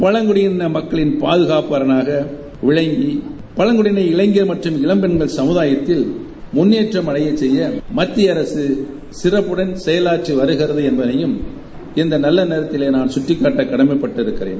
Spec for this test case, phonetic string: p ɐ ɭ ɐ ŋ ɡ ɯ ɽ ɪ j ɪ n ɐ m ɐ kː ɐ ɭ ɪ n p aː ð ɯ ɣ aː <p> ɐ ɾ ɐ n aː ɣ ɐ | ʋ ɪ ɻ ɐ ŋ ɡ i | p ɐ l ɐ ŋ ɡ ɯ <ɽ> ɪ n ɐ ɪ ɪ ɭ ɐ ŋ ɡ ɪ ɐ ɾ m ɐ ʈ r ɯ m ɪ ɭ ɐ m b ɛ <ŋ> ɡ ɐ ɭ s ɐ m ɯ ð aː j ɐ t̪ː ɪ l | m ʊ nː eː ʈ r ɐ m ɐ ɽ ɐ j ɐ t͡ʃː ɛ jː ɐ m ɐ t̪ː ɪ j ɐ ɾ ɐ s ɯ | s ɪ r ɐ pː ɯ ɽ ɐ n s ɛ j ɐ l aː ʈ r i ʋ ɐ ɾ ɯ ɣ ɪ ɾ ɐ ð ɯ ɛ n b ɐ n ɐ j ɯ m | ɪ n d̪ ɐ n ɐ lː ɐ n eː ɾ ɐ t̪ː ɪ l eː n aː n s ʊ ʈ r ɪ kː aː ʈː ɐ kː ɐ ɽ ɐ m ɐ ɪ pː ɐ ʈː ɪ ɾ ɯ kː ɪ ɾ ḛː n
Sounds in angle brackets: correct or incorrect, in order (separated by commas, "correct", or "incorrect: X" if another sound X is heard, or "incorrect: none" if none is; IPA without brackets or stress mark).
correct, correct, incorrect: n